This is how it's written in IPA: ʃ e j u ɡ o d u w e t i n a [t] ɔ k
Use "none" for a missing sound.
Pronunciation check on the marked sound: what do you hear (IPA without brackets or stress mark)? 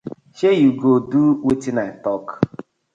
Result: t